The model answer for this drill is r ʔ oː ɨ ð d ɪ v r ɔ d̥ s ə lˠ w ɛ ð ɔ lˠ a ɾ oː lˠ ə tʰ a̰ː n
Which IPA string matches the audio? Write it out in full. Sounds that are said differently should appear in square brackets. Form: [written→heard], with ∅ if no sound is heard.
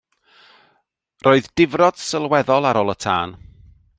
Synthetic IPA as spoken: r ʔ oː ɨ ð d ɪ v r ɔ d̥ s ə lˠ w ɛ ð ɔ lˠ a ɾ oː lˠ ə tʰ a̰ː n